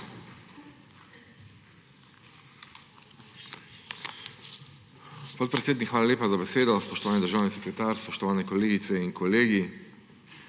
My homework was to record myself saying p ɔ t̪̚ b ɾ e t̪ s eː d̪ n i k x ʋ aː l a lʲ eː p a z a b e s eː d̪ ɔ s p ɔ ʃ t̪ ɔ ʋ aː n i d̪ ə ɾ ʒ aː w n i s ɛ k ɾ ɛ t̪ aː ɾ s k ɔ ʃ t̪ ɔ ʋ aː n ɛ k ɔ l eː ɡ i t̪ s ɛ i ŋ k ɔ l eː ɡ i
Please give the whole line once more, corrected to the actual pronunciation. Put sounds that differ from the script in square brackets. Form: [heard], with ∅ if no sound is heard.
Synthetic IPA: p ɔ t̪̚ [p] ɾ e t̪ s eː d̪ n i k x ʋ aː l a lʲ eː p a z a b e s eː d̪ ɔ s p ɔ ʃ t̪ ɔ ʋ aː n i d̪ ə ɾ ʒ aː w n i s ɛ k ɾ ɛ t̪ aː ɾ s [p] ɔ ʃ t̪ ɔ ʋ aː n ɛ k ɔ l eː ɡ i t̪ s ɛ i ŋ k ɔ l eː ɡ i

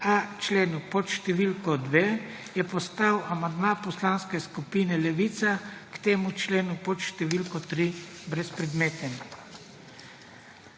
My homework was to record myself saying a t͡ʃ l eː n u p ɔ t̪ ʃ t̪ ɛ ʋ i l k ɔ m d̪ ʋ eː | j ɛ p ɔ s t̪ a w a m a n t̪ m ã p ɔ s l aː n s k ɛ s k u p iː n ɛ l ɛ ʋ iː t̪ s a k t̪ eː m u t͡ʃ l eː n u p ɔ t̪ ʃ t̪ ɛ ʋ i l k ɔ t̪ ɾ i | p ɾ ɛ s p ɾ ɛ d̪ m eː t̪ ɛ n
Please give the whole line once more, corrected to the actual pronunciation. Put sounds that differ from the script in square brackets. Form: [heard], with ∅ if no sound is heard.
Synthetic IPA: a t͡ʃ l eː n u p ɔ t̪ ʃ t̪ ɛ ʋ i l k ɔ [∅] d̪ ʋ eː | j ɛ p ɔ s t̪ a w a m a n [d̪] m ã p ɔ s l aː n s k ɛ s k u p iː n ɛ l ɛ ʋ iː t̪ s a k t̪ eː m u t͡ʃ l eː n u p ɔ t̪ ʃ t̪ ɛ ʋ i l k ɔ t̪ ɾ i | [b] ɾ ɛ s p ɾ ɛ d̪ m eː t̪ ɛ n

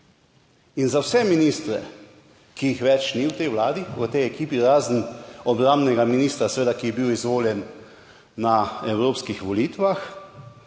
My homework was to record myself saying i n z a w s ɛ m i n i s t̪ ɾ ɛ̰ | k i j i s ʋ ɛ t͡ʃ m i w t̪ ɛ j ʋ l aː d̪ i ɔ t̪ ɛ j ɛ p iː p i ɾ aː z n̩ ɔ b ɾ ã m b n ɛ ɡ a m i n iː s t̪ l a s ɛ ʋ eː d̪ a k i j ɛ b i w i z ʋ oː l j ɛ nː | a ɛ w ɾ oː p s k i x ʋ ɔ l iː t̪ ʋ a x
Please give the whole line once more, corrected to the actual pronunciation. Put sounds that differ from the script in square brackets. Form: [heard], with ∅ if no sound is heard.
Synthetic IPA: i n z a w s ɛ m i n i s t̪ ɾ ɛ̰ | k i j i [x] ʋ ɛ t͡ʃ [n] i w t̪ ɛ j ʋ l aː d̪ i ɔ t̪ ɛ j ɛ [k] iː p i ɾ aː z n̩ ɔ b ɾ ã m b n ɛ ɡ a m i n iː s t̪ [ɾ] a s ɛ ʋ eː d̪ a k i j ɛ b i w i z ʋ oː l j ɛ nː | a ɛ w ɾ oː p s k i x ʋ ɔ l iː t̪ ʋ a x

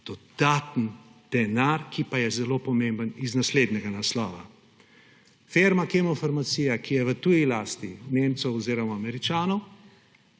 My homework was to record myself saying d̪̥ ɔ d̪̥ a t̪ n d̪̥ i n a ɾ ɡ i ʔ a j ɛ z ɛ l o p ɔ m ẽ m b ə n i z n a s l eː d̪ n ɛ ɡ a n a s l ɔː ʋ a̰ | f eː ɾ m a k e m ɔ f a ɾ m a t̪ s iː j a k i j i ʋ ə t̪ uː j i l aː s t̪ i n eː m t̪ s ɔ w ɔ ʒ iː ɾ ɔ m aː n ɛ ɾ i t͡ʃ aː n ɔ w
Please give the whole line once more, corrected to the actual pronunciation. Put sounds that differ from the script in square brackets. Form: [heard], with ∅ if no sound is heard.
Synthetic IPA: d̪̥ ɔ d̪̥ a t̪ n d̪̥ [ɛ] n a ɾ [k] i [p] a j ɛ z ɛ l o p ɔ m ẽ m b ə n i z n a s l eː d̪ n ɛ ɡ a n a s l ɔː ʋ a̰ | f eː ɾ m a k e m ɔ f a ɾ m a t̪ s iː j a k i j [ɛ] ʋ ə t̪ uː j i l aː s t̪ i n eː m t̪ s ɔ w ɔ [z] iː ɾ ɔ m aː [m] ɛ ɾ i t͡ʃ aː n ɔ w

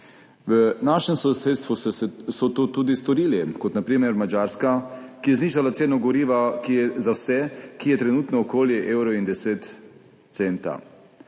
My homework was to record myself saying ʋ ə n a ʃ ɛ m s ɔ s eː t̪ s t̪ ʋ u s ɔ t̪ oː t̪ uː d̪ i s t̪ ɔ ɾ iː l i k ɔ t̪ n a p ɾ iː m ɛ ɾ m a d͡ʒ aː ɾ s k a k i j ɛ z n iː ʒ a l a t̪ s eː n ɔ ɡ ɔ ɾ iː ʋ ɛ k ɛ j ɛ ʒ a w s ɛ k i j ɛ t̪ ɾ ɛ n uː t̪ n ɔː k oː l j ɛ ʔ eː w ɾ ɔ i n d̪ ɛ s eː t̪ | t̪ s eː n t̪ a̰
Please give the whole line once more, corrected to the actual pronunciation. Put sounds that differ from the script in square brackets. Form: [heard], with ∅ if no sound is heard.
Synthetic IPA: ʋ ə n a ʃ ɛ m s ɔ s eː t̪ s t̪ ʋ u s ɔ t̪ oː t̪ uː d̪ i s t̪ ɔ ɾ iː l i k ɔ t̪ n a p ɾ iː m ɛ ɾ m a d͡ʒ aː ɾ s k a k i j ɛ z n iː ʒ a l a t̪ s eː n ɔ ɡ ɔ ɾ iː ʋ [a] k [i] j ɛ [z] a w s ɛ k i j ɛ t̪ ɾ ɛ n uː t̪ n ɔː k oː l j ɛ ʔ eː w ɾ ɔ i n d̪ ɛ s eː t̪ | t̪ s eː n t̪ a̰

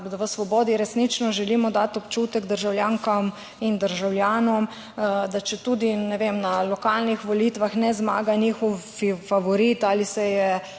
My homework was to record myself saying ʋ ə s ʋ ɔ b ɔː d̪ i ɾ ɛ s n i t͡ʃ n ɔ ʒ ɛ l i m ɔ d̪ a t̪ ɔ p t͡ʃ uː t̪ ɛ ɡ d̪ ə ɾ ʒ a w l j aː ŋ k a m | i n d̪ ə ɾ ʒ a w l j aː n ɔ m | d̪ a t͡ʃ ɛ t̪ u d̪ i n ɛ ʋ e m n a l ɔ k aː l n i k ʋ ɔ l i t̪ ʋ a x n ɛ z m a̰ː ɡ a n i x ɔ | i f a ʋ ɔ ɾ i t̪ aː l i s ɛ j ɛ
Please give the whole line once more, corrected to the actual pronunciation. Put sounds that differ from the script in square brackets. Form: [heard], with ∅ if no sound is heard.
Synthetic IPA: ʋ ə s ʋ ɔ b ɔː d̪ i ɾ ɛ s n i t͡ʃ n ɔ ʒ ɛ l i m ɔ d̪ a t̪ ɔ p t͡ʃ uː t̪ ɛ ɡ d̪ ə ɾ ʒ a w l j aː ŋ k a m | i n d̪ ə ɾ ʒ a w l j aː n ɔ m | d̪ a t͡ʃ ɛ t̪ u d̪ i n ɛ ʋ e m n a l ɔ k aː l n i [x] ʋ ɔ l i t̪ ʋ a x n ɛ z m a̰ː ɡ a n i x ɔ | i f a ʋ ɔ ɾ i t̪ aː l i s ɛ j ɛ

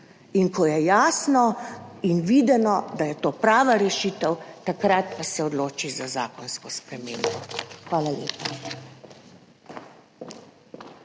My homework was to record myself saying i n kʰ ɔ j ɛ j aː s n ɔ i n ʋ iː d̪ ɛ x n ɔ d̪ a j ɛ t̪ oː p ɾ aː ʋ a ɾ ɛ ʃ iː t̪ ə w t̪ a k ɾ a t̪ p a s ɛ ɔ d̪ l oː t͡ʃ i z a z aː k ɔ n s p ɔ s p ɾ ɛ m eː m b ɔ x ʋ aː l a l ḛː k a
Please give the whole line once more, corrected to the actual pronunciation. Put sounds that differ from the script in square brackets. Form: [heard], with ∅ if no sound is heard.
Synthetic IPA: i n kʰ ɔ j ɛ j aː s n ɔ i n ʋ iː d̪ ɛ [∅] n ɔ d̪ a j ɛ t̪ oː p ɾ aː ʋ a ɾ ɛ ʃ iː t̪ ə w t̪ a k ɾ a t̪ p a s ɛ ɔ d̪ l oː t͡ʃ i z a z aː k ɔ n s [k] ɔ s p ɾ ɛ m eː m b ɔ x ʋ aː l a l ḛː [p] a

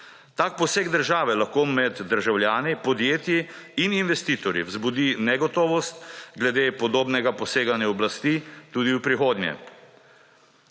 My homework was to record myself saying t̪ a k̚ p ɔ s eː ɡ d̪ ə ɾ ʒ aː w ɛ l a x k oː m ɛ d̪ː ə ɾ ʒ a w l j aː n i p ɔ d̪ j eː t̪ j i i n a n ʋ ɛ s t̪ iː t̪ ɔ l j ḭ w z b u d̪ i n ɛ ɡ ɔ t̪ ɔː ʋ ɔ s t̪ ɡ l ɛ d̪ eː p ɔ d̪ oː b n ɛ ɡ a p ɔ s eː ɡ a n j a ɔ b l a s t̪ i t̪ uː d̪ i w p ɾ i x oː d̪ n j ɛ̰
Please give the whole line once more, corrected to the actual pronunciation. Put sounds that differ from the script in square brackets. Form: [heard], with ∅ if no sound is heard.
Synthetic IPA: t̪ a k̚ p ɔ s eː ɡ d̪ ə ɾ ʒ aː [ʋ] ɛ l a x k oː m ɛ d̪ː ə ɾ ʒ a w l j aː n i p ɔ d̪ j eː t̪ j i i n [i] n ʋ ɛ s t̪ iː t̪ ɔ [ɾ] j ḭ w z b u d̪ i n ɛ ɡ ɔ t̪ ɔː ʋ ɔ s t̪ ɡ l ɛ d̪ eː p ɔ d̪ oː b n ɛ ɡ a p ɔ s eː ɡ a n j a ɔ b l a s t̪ i t̪ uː d̪ i w p ɾ i x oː d̪ n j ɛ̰

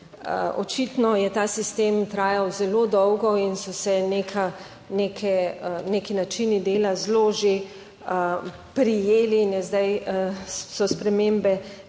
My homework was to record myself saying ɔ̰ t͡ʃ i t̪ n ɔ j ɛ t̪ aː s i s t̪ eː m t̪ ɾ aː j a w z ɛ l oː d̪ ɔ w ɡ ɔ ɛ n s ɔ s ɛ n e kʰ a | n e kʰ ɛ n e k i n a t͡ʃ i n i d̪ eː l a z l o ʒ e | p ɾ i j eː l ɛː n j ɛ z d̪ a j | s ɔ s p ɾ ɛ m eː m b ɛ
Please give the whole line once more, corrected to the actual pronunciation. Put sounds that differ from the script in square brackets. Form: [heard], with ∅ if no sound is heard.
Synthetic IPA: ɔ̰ t͡ʃ i t̪ n ɔ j ɛ t̪ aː s i s t̪ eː m t̪ ɾ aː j a w z ɛ l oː d̪ ɔ w ɡ ɔ [i] n s ɔ s ɛ n e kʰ a | n e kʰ ɛ n e k i n a t͡ʃ i n i d̪ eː l a z l o ʒ e | p ɾ i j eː l [iː] n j ɛ z d̪ a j | s ɔ s p ɾ ɛ m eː m b ɛ

